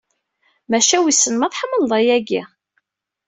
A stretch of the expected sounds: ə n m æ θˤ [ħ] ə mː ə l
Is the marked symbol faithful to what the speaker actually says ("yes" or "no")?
yes